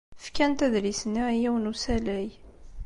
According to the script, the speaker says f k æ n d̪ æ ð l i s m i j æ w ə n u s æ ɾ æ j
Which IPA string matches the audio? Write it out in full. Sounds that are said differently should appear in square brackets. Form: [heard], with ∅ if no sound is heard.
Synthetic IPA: f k æ n [t̪] æ ð l i s [n] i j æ w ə n u s æ [l] æ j